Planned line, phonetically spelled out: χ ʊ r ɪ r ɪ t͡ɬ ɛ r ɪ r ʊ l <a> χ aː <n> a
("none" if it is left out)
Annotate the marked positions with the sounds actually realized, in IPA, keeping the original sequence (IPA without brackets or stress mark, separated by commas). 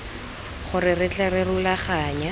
a, ɲ